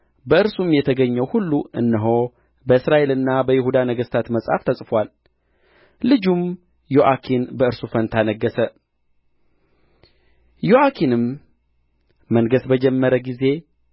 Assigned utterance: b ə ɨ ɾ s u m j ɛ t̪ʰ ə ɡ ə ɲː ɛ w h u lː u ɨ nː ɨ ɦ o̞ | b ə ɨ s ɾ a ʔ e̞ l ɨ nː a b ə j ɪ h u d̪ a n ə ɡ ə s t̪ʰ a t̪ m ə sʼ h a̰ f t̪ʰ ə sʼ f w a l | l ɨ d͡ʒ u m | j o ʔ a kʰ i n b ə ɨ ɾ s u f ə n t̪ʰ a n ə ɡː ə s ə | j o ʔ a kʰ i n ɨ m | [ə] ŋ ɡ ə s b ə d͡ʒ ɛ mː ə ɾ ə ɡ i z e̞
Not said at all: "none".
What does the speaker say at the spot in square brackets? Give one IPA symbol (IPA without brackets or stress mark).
ə